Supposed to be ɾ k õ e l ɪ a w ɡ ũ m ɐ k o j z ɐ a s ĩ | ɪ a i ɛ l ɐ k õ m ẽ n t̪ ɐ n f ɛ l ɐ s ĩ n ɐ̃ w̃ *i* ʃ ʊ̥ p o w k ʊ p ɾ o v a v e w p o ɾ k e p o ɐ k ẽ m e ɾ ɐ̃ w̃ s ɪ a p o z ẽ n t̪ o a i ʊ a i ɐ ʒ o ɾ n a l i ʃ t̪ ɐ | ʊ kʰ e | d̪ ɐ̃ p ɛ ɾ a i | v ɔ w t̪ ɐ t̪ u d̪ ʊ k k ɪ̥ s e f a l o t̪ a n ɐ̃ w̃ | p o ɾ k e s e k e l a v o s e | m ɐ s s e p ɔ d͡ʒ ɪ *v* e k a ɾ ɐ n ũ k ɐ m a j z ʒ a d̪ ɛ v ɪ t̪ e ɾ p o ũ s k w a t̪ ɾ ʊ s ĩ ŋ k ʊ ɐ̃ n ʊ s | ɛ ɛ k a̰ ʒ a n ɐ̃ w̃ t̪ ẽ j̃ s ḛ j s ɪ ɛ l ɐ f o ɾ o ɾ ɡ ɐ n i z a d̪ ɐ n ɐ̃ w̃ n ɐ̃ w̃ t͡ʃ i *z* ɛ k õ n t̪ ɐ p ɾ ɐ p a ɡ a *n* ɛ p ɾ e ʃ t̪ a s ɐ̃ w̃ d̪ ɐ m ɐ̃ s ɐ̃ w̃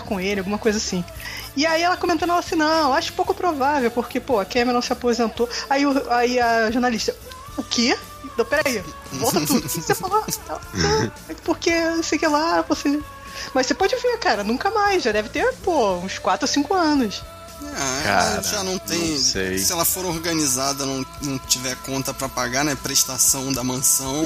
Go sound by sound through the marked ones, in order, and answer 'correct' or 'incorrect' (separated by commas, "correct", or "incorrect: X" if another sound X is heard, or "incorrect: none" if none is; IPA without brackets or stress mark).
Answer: incorrect: a, correct, incorrect: v, correct